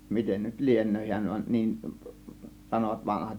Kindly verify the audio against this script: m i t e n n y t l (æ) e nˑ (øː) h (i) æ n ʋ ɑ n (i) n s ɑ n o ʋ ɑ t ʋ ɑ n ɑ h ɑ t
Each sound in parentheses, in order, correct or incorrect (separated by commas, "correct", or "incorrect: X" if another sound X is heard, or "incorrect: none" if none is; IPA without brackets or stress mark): incorrect: i, correct, correct, incorrect: iː